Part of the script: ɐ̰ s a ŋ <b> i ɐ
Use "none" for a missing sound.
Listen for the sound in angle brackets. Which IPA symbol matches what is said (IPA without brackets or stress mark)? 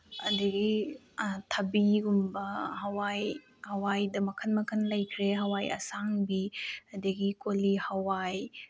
b